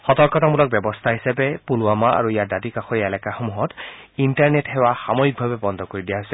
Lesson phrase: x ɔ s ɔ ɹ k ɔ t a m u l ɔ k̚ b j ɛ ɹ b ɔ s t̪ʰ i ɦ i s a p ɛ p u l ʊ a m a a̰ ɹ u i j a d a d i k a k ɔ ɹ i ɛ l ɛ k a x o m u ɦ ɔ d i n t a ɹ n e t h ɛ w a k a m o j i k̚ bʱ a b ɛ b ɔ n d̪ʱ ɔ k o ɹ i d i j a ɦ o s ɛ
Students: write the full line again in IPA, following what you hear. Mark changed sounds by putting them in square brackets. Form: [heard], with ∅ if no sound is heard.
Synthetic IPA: x ɔ [t] ɔ ɹ k ɔ t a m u l ɔ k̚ b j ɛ [∅] b ɔ s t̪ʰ [a] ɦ i s a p ɛ p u l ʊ a m a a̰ ɹ u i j a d a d i k a [x] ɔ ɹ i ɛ l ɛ k a x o m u ɦ ɔ [t] i n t a ɹ n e t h ɛ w a [x] a m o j i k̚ bʱ a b ɛ b ɔ n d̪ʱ ɔ k o ɹ i d i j a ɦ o s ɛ